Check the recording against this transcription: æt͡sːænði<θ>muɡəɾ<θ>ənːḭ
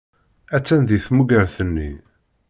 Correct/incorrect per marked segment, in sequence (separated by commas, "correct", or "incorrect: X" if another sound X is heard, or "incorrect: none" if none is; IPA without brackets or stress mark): correct, correct